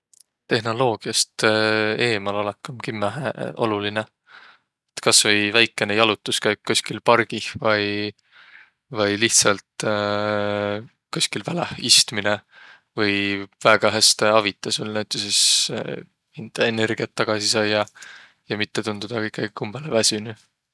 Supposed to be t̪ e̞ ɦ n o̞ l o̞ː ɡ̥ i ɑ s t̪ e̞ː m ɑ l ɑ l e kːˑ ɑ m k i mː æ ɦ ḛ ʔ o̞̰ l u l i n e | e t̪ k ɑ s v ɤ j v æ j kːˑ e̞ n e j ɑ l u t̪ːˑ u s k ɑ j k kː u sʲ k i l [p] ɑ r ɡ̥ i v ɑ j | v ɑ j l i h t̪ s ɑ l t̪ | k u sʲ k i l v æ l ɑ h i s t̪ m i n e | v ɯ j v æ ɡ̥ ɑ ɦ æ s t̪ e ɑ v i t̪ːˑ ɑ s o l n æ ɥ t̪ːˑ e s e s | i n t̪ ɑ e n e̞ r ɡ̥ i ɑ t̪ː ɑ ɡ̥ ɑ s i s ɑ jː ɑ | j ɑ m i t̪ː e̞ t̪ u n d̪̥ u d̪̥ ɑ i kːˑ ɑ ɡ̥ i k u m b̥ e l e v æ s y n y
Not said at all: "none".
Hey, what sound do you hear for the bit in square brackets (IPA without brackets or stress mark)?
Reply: p